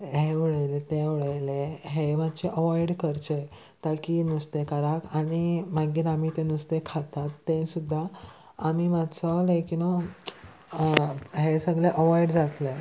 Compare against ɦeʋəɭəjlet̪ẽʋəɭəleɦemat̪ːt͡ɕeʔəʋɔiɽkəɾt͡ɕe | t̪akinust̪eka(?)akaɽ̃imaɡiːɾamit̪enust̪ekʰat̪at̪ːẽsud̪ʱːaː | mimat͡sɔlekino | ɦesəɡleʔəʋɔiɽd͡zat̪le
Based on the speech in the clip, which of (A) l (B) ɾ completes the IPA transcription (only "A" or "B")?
B